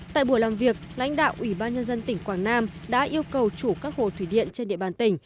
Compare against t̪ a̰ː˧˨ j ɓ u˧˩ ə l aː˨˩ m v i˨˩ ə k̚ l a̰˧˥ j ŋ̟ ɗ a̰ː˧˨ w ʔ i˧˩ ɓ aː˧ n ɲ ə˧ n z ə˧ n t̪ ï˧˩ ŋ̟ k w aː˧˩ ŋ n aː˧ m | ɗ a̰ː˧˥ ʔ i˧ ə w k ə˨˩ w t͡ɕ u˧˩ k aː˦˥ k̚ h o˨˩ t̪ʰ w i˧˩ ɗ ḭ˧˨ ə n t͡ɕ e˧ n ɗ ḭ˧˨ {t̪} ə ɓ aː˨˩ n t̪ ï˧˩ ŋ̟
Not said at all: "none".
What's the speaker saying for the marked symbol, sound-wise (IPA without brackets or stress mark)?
none